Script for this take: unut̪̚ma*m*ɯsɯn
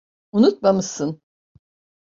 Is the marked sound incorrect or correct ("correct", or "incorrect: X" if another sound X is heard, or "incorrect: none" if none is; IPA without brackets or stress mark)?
correct